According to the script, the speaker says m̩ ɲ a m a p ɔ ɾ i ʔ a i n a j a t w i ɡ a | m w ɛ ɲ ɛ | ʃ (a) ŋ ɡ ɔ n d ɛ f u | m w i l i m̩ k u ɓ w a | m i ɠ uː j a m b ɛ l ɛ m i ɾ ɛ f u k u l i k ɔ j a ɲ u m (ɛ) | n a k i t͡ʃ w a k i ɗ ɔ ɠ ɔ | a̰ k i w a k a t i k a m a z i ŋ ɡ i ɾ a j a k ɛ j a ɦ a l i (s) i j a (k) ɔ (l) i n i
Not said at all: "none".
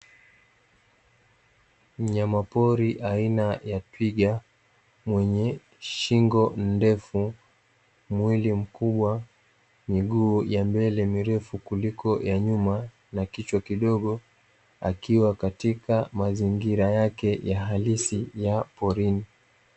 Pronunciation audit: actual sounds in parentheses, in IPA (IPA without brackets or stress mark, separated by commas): i, a, s, p, ɾ